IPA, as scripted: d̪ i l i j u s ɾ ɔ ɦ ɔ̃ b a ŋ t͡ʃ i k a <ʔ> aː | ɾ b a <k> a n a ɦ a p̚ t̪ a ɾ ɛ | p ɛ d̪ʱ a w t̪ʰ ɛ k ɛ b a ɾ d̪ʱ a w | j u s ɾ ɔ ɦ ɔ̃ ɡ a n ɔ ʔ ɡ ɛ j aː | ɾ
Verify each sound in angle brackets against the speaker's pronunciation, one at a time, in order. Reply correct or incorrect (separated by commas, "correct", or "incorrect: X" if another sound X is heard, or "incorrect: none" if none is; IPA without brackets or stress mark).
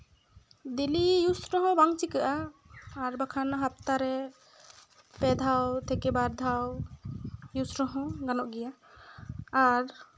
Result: correct, incorrect: kʰ